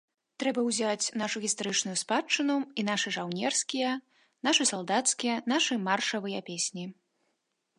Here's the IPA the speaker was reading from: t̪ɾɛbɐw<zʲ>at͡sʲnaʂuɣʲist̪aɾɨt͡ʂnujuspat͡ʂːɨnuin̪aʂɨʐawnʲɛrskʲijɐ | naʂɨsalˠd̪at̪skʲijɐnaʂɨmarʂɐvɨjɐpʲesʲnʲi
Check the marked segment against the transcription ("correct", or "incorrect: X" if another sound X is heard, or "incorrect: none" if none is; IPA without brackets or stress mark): correct